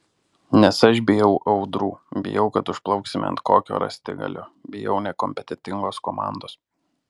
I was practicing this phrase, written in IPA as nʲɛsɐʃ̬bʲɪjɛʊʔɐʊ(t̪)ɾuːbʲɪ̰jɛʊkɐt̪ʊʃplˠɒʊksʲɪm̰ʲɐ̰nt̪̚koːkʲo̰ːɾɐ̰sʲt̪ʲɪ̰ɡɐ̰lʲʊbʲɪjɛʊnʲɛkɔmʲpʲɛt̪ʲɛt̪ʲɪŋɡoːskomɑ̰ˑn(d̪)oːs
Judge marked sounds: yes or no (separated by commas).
no, yes